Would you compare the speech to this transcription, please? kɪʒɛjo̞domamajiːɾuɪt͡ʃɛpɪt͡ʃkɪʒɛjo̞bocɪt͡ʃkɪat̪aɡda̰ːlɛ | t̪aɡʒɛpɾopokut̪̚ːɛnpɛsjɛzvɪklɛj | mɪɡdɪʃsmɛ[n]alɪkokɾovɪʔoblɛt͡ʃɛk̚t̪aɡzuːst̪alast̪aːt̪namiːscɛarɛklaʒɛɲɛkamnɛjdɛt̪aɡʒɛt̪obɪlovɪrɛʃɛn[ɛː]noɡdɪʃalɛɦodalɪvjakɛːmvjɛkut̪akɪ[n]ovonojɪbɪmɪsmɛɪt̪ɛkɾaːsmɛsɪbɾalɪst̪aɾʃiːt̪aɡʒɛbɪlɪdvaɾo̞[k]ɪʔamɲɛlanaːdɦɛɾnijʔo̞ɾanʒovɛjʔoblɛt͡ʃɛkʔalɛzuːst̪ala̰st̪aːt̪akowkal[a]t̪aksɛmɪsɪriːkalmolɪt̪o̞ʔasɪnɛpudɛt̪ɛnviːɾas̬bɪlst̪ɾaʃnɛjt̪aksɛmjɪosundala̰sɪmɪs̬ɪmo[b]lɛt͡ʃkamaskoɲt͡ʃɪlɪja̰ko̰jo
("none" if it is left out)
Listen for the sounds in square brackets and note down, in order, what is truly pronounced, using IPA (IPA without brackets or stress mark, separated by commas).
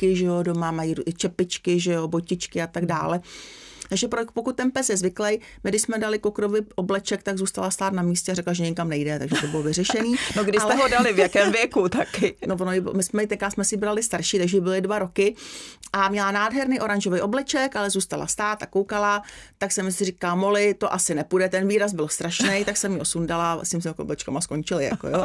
d, iː, n, k, a, b